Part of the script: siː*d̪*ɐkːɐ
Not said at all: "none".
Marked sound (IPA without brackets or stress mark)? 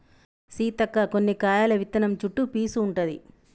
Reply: t̪